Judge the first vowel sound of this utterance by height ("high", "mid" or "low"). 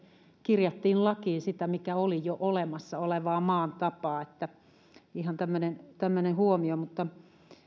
high